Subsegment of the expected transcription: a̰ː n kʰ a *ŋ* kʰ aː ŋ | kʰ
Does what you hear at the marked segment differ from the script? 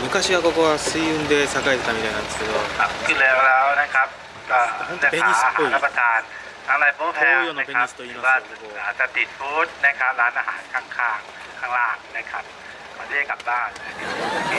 no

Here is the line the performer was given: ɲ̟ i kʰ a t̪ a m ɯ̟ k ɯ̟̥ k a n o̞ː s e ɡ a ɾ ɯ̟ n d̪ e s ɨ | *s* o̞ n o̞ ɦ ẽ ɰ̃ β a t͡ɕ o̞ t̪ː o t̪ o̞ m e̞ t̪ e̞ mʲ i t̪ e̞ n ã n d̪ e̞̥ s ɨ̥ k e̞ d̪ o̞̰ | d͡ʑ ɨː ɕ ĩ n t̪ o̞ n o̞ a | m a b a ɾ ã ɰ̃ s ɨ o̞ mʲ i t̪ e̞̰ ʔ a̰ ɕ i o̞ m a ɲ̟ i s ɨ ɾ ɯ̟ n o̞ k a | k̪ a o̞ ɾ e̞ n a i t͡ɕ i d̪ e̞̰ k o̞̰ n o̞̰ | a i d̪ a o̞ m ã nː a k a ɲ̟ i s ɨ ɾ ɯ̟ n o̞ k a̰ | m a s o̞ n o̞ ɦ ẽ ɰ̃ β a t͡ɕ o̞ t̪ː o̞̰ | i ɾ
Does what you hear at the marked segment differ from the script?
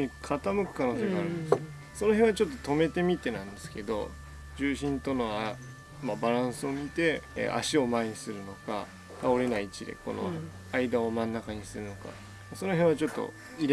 no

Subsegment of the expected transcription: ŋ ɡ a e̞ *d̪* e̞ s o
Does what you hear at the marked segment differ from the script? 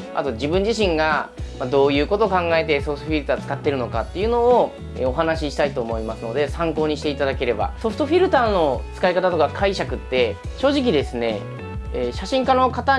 yes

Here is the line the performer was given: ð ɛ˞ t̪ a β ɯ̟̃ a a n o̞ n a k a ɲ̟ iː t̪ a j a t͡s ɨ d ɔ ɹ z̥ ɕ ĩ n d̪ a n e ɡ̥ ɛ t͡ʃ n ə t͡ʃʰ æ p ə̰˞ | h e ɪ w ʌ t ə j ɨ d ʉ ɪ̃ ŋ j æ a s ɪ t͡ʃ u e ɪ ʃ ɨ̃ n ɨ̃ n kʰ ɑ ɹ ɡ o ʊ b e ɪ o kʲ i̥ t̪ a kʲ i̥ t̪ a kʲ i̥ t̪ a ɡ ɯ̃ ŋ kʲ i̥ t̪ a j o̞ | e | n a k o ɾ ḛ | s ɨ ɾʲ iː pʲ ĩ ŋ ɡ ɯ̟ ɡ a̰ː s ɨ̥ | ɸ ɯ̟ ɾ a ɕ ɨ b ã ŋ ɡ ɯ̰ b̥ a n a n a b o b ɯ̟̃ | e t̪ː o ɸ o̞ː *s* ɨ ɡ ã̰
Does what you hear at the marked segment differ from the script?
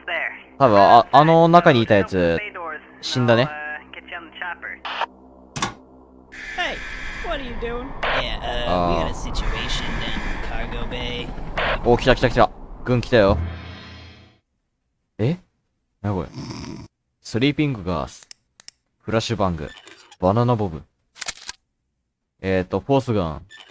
no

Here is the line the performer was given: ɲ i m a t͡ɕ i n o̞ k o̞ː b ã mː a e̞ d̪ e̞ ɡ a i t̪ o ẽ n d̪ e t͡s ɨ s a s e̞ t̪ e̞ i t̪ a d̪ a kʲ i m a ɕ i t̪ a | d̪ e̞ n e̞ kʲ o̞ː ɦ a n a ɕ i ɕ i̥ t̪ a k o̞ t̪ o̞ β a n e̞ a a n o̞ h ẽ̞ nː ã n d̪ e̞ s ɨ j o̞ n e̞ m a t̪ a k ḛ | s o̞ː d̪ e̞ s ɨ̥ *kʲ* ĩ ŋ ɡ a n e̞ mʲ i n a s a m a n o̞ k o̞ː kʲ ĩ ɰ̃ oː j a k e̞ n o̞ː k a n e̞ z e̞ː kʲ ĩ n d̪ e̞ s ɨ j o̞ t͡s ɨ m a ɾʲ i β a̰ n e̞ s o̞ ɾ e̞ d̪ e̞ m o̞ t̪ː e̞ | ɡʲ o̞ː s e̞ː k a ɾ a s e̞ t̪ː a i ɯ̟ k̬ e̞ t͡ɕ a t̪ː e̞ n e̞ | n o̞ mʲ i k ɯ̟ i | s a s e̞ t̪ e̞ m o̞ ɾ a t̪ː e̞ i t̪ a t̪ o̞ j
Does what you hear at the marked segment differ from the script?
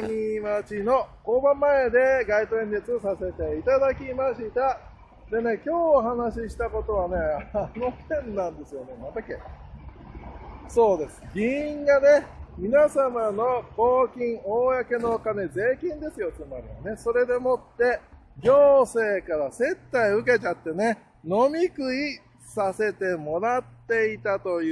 yes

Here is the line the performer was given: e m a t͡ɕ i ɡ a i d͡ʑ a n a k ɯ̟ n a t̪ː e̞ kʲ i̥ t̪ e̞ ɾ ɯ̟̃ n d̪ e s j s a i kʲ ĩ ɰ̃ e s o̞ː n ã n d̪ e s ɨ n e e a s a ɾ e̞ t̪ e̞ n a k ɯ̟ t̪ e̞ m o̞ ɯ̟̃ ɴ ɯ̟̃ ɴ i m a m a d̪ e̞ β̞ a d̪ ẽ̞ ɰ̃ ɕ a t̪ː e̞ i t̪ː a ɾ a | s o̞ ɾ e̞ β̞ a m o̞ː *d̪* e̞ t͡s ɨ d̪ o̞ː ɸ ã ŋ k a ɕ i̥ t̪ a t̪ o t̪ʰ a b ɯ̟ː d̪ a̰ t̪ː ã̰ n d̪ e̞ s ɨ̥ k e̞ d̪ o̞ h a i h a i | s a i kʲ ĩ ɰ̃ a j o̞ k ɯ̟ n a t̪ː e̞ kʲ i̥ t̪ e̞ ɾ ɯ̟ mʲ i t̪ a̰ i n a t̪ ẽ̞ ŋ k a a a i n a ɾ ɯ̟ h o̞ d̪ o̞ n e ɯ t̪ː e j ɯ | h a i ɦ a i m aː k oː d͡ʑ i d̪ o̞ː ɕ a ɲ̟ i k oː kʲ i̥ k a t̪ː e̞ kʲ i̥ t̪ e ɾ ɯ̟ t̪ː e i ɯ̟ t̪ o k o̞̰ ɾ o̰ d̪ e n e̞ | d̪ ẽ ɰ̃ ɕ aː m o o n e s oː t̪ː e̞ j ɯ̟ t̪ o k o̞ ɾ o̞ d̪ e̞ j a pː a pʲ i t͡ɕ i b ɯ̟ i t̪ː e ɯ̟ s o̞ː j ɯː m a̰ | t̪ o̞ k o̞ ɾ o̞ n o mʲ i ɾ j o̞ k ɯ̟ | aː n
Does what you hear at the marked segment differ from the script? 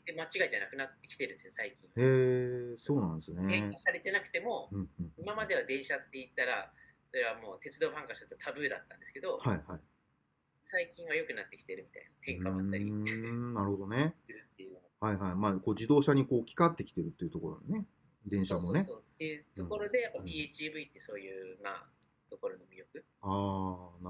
yes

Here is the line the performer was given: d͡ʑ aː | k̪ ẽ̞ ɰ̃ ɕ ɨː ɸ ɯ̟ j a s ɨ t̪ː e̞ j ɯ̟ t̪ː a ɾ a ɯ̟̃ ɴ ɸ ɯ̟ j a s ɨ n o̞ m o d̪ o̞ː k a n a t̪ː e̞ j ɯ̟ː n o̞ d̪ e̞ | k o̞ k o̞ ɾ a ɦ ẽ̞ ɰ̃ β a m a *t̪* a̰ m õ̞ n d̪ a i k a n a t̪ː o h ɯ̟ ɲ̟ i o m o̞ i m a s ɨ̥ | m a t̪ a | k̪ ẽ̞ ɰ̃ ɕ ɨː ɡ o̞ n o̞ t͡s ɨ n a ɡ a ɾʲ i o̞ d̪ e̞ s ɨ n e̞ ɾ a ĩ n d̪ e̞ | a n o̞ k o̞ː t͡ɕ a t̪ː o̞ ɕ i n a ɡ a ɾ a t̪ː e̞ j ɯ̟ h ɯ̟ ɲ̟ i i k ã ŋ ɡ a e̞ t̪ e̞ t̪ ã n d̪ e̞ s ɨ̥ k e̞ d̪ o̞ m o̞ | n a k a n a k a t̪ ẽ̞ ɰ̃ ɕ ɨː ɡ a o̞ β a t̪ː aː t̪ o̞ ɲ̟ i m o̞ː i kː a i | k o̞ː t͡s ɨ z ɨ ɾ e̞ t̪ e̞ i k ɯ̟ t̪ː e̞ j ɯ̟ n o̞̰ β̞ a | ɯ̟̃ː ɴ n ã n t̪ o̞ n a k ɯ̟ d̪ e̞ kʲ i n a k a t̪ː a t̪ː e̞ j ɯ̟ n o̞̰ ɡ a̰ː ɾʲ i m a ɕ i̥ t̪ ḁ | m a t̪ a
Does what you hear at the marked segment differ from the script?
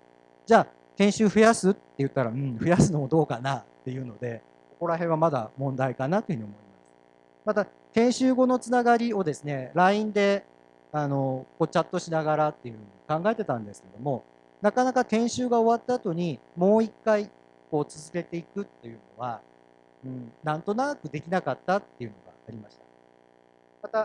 yes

